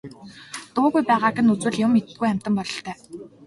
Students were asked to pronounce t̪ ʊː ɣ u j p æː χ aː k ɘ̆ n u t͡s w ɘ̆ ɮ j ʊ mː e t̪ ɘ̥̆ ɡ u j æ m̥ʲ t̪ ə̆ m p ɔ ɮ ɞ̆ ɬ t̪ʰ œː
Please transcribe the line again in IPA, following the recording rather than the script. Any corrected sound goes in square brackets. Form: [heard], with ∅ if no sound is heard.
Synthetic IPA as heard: t̪ ʊː ɣ u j p æː [ʁ] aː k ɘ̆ n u t͡s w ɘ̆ ɮ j ʊ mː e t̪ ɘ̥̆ ɡ u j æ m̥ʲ t̪ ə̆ m p ɔ ɮ ɞ̆ ɬ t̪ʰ œː